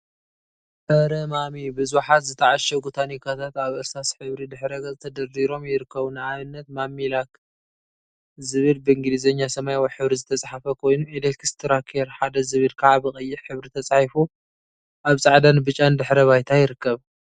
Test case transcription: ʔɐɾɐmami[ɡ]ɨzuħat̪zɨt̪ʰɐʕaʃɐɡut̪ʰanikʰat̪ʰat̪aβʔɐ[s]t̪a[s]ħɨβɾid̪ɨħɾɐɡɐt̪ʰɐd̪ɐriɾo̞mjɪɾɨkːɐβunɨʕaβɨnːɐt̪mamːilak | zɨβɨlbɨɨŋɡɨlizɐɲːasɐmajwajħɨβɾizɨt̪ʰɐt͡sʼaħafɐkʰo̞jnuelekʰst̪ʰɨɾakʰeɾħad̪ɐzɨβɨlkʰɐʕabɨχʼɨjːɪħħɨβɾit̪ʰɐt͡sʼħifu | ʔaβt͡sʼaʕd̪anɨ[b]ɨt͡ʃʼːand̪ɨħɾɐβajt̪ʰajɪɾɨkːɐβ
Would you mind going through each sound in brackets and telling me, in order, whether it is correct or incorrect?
incorrect: b, correct, correct, correct

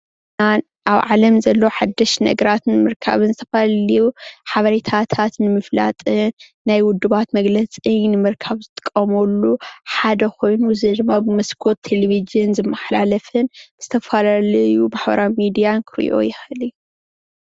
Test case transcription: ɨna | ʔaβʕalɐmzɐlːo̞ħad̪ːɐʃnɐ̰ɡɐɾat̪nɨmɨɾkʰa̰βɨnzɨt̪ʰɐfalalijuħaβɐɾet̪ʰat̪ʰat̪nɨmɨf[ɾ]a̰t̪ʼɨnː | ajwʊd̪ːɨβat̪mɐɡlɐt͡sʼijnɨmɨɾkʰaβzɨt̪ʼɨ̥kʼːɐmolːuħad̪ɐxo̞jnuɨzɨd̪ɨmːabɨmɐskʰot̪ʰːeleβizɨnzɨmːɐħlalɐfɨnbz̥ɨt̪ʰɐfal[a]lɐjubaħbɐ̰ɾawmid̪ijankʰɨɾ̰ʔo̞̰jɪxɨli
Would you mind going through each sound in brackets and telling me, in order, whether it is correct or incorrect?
incorrect: l, correct

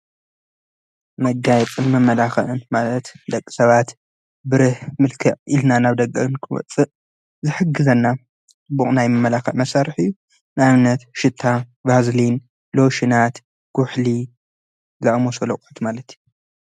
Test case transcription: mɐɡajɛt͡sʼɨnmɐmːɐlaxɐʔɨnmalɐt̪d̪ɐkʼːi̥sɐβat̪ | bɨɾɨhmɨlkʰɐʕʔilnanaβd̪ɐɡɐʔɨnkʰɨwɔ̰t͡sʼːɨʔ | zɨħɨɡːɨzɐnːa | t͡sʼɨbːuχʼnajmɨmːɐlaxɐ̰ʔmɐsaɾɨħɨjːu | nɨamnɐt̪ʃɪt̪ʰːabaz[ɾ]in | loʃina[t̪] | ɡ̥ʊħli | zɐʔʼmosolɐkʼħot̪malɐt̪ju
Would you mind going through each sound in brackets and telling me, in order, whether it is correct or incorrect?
incorrect: l, correct

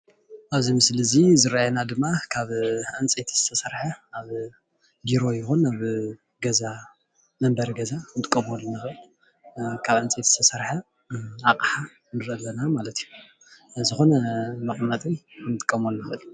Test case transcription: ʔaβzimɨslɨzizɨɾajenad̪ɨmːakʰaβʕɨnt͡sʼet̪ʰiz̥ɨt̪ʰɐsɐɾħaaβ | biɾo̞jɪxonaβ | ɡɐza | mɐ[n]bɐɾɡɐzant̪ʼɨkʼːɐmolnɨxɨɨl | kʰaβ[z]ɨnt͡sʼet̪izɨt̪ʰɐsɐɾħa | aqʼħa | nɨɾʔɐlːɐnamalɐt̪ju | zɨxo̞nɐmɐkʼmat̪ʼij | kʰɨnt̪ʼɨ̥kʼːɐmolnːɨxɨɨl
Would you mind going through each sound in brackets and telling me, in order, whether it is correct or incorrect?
incorrect: m, incorrect: ʕ

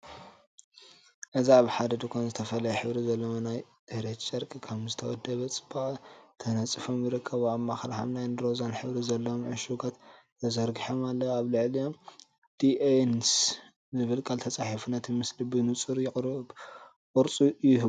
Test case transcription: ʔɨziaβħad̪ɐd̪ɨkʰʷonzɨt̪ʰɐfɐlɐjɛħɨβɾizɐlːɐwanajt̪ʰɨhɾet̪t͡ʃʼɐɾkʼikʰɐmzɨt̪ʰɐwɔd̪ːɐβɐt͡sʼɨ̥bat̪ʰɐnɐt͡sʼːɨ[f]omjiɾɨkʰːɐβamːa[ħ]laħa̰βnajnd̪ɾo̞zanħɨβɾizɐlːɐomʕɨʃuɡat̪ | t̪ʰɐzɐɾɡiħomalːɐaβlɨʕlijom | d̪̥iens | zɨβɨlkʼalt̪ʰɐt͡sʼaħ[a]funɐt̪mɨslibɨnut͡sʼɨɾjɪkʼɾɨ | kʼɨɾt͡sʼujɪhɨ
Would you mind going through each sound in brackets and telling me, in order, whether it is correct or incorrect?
correct, incorrect: x, incorrect: i

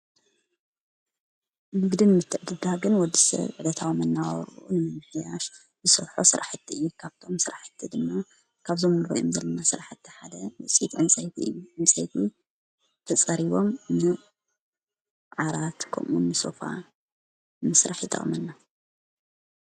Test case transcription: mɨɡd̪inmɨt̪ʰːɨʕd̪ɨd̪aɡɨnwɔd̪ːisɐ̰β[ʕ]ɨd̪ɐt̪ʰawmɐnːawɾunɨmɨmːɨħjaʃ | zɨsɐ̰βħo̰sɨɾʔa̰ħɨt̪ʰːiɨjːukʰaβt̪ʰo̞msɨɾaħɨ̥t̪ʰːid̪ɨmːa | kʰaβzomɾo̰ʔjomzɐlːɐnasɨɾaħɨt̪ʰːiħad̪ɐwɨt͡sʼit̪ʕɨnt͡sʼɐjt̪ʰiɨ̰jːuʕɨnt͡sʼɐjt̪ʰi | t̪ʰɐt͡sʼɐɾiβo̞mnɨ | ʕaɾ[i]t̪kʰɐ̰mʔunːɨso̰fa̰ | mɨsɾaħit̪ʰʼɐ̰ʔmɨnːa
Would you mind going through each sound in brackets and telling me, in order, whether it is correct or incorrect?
correct, incorrect: a

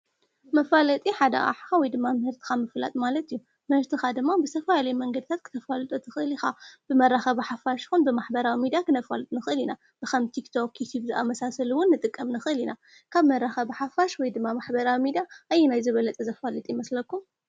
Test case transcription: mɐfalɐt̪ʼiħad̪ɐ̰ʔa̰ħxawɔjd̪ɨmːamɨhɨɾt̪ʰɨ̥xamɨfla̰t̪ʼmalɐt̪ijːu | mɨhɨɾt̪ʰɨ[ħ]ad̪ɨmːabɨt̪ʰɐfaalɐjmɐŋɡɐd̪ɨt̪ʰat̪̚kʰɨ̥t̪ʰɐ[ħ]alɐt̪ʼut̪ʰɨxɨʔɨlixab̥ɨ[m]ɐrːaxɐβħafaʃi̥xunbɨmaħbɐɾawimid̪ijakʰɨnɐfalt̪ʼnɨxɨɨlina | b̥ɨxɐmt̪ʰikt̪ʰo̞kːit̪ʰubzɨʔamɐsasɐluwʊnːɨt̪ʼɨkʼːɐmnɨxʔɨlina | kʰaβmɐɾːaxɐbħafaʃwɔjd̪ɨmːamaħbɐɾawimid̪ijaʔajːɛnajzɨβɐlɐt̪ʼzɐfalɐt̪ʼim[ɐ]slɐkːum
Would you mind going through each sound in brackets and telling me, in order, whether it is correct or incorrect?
incorrect: x, incorrect: f, correct, correct

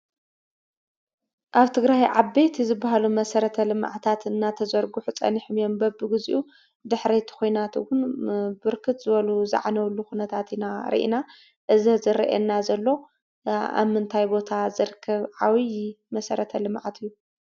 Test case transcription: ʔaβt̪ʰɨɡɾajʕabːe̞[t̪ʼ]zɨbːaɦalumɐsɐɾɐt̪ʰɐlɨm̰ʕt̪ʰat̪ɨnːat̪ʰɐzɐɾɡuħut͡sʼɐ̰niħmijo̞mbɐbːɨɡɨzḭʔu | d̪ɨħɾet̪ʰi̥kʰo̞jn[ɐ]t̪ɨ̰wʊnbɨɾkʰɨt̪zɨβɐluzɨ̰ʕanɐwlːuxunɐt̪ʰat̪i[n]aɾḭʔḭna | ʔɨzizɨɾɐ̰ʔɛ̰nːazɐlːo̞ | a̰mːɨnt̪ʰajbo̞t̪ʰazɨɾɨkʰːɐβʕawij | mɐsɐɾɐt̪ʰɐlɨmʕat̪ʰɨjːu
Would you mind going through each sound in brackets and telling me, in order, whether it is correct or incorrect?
incorrect: t̪, incorrect: a, correct

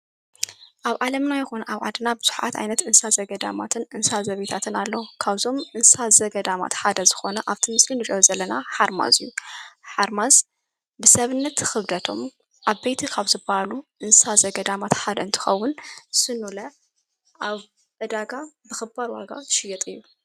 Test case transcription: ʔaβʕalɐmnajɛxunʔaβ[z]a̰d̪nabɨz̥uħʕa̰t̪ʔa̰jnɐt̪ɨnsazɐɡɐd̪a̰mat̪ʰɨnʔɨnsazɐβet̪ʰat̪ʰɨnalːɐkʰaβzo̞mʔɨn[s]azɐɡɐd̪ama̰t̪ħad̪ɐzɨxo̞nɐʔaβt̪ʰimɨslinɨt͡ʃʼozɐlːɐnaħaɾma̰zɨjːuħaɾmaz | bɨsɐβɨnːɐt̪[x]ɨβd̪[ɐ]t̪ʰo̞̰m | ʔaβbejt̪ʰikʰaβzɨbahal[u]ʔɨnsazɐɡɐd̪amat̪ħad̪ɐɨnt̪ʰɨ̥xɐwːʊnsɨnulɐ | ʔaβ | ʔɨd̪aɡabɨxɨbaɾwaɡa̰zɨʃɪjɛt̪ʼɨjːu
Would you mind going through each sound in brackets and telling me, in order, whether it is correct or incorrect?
incorrect: ʕ, correct, correct, correct, correct

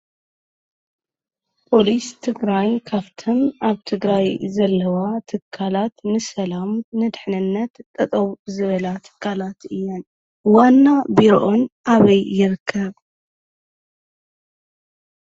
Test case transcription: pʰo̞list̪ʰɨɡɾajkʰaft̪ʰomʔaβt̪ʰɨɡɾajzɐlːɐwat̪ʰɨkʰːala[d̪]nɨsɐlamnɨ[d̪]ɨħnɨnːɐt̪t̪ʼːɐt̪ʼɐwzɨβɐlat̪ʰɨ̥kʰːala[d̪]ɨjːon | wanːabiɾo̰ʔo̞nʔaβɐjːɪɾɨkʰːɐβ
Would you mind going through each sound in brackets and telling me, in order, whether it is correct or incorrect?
incorrect: t̪, correct, incorrect: t̪

